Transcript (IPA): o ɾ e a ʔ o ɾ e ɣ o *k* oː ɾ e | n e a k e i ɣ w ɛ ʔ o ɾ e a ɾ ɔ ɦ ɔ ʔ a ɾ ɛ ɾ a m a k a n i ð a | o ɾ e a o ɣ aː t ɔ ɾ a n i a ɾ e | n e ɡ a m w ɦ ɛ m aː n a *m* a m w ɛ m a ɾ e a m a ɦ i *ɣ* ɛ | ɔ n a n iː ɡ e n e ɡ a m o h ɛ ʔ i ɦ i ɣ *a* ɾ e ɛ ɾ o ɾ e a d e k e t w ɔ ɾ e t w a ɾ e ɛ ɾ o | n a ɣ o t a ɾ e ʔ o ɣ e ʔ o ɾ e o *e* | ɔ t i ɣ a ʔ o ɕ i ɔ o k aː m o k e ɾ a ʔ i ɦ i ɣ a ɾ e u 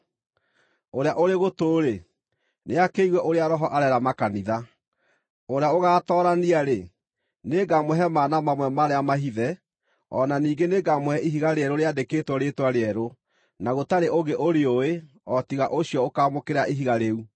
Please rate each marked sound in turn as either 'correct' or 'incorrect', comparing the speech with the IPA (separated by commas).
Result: incorrect, correct, incorrect, correct, correct